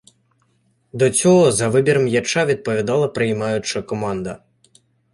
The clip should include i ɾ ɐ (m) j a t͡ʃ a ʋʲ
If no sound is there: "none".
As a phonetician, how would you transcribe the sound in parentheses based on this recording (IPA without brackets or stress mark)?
m